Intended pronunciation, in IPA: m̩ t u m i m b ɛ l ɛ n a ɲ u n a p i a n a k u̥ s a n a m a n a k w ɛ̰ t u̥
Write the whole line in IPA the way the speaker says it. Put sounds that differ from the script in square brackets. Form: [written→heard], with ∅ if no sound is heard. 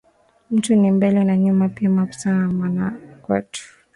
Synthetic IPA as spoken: m̩ t u [m→n] i m b ɛ l ɛ n a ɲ u [n→m] a p i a [n→m] a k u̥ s a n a m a n a k w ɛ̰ t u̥